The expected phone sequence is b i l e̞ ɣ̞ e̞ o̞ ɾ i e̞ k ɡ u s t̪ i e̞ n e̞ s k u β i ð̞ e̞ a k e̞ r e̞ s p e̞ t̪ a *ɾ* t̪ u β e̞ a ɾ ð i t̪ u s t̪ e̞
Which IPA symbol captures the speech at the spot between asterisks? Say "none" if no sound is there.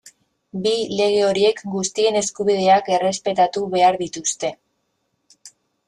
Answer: none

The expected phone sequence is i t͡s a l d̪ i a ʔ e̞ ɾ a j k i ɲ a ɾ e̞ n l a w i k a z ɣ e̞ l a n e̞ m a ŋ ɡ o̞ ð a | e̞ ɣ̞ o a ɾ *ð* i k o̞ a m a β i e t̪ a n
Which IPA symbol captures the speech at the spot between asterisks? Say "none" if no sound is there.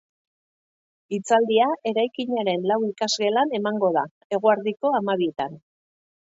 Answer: ð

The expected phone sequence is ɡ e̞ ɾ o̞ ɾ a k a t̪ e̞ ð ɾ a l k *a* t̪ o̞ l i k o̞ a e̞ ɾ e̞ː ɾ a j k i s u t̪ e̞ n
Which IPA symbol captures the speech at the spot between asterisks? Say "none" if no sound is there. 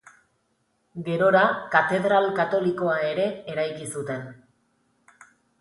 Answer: a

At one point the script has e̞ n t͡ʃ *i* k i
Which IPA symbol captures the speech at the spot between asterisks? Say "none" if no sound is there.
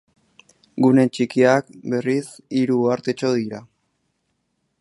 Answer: i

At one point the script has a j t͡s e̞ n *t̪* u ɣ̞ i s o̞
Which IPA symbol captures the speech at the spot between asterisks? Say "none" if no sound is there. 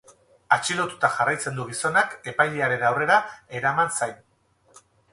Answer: d̪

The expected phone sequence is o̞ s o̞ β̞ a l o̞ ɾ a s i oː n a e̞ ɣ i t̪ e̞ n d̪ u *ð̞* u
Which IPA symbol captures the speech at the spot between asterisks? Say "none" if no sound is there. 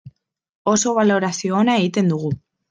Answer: ɣ̞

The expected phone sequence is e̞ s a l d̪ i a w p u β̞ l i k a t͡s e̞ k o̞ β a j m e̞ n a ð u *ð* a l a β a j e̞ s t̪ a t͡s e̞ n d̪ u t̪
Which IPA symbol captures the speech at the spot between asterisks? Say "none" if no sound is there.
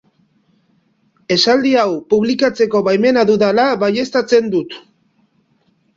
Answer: ð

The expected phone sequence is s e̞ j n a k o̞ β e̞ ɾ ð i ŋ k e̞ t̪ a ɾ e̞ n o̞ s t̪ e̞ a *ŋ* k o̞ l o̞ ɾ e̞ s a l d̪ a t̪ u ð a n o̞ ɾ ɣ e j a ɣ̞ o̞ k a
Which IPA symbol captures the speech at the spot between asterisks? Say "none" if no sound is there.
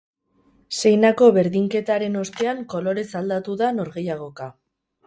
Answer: ŋ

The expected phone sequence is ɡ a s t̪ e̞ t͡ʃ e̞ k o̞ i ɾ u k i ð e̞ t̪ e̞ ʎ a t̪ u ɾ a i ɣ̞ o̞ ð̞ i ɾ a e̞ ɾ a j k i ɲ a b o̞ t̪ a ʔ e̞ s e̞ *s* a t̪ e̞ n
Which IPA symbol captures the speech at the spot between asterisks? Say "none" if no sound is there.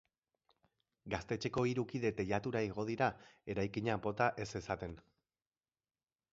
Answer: s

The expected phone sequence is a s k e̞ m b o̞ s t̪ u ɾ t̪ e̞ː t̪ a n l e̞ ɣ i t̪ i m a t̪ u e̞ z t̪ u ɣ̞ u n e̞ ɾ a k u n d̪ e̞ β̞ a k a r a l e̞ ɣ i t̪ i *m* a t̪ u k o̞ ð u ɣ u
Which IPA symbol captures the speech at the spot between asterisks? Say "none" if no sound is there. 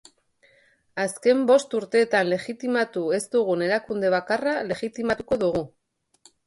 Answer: m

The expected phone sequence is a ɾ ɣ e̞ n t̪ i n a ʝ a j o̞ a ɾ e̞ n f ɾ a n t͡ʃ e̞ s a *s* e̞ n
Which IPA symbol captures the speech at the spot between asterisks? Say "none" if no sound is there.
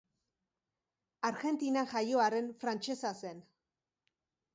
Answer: s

